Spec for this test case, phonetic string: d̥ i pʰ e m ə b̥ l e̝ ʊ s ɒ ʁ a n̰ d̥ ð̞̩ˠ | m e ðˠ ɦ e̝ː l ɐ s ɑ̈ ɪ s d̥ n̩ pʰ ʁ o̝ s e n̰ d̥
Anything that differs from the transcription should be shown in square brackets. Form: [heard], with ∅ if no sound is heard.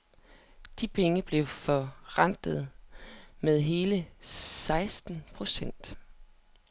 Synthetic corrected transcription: d̥ i pʰ e [ŋ] ə b̥ l e̝ ʊ [f] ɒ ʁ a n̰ d̥ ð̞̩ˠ | m e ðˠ ɦ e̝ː l [ə] s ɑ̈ ɪ s d̥ n̩ pʰ ʁ o̝ s e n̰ d̥